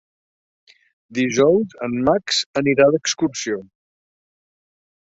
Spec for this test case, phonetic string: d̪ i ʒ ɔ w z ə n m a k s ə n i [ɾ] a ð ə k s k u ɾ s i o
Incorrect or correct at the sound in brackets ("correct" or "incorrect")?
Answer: correct